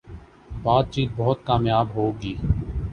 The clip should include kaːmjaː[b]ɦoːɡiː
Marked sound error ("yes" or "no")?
no